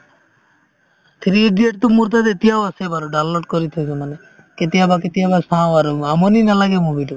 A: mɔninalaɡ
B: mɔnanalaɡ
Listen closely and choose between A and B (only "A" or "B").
A